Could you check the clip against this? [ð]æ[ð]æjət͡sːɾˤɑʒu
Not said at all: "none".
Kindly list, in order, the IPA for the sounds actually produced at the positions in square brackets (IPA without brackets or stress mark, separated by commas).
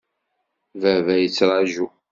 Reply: v, v